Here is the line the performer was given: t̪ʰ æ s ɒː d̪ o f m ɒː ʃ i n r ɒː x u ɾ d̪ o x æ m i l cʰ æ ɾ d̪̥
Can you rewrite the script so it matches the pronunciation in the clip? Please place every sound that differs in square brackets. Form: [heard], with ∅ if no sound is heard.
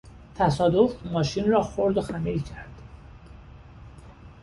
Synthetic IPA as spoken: t̪ʰ æ s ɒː d̪ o f m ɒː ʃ i n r ɒː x [o] ɾ d̪ o x æ m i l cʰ æ ɾ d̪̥